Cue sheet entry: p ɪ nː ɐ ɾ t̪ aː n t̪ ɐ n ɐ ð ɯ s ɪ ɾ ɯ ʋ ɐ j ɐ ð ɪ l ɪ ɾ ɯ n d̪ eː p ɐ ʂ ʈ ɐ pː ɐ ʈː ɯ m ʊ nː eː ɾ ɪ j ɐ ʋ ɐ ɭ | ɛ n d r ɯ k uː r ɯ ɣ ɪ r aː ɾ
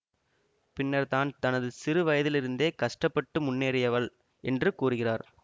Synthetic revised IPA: p ɪ nː ɐ ɾ t̪ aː n t̪ ɐ n ɐ ð ɯ s ɪ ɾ ɯ ʋ ɐ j ɐ ð ɪ l ɪ ɾ ɯ n d̪ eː k ɐ ʂ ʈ ɐ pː ɐ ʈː ɯ m ʊ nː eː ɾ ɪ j ɐ ʋ ɐ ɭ | ɛ n d r ɯ k uː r ɯ ɣ ɪ r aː ɾ